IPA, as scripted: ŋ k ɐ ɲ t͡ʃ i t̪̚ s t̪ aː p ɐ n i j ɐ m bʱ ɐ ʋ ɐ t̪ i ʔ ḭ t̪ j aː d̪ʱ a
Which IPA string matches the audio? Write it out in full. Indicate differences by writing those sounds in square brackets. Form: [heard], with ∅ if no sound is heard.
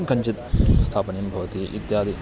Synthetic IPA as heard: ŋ k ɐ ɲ t͡ʃ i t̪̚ s [t̪ʰ] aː p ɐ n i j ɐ m bʱ ɐ ʋ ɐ t̪ i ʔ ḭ t̪ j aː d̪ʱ [i]